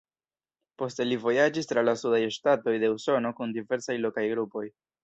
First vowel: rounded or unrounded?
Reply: rounded